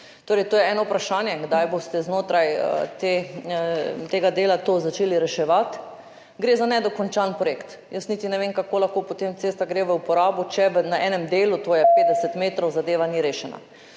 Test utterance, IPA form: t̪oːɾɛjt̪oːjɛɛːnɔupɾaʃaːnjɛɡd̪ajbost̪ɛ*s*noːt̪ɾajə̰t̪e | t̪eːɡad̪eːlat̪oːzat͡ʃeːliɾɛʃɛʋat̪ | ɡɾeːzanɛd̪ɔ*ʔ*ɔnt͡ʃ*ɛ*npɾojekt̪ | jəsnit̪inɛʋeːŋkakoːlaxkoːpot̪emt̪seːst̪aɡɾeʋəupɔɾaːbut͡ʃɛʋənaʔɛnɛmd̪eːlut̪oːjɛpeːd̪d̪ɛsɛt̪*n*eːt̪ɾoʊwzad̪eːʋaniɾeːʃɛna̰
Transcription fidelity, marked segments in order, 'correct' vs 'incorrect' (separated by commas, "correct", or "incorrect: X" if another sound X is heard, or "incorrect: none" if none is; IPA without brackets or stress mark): incorrect: z, incorrect: k, incorrect: a, incorrect: m